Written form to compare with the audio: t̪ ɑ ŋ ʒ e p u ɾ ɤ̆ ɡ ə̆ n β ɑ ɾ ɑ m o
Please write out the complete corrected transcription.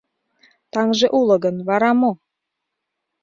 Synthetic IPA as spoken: t̪ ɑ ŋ ʒ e ʔ u l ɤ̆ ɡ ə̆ n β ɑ ɾ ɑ m o